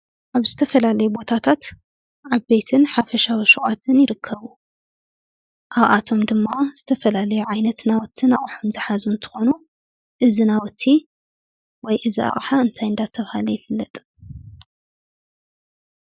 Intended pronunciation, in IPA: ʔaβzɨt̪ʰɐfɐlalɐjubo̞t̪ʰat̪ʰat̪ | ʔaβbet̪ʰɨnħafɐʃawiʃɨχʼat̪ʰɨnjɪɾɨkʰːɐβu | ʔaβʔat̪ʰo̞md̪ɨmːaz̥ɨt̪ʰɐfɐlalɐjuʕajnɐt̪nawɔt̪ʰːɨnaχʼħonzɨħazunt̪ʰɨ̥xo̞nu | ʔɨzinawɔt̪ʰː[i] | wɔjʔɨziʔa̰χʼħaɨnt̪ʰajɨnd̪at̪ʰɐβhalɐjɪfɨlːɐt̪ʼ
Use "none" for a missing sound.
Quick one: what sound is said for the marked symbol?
i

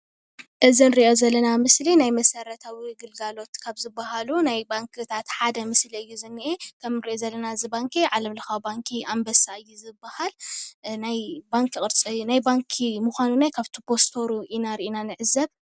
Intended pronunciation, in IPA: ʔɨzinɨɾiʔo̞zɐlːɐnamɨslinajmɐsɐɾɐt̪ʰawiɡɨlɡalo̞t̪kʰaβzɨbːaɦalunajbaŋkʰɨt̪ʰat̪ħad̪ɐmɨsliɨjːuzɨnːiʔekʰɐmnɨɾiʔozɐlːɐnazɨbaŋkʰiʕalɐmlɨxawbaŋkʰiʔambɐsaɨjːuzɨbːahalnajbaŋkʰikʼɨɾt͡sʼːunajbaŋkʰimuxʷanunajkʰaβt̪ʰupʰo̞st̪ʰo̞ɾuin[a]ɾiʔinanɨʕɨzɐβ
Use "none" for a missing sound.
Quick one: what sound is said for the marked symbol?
a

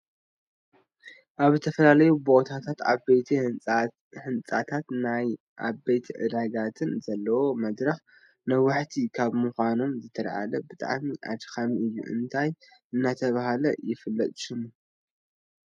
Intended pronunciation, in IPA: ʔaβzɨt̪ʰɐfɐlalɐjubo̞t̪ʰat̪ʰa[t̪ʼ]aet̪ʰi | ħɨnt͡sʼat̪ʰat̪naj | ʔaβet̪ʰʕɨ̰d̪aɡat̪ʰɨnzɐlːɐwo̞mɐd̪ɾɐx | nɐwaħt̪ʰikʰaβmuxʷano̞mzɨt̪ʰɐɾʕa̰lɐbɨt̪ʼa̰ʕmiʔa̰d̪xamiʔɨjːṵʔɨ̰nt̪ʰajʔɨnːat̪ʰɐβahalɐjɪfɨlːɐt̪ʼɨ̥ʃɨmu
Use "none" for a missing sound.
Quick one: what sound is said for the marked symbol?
t̪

